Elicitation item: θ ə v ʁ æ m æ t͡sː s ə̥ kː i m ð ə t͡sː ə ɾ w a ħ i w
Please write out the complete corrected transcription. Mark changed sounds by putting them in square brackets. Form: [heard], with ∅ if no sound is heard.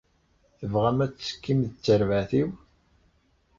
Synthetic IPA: θ ə v ʁ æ m æ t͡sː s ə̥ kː i m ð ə t͡sː ə ɾ [v] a [θ] i w